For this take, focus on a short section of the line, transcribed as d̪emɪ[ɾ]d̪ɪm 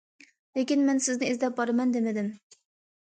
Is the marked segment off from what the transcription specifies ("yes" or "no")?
yes